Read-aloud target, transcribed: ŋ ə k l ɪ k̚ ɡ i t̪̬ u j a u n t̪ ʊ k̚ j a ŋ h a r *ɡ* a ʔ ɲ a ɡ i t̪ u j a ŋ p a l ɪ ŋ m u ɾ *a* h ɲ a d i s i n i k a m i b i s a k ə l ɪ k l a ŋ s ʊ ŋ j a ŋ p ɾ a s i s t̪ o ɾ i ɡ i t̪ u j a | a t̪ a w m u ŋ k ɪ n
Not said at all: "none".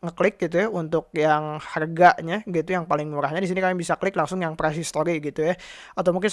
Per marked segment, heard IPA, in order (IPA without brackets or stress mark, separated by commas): ɡ, a